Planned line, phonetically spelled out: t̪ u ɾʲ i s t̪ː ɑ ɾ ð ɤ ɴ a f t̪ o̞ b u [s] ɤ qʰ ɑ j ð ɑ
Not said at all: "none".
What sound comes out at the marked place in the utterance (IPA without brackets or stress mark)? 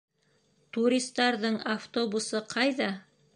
s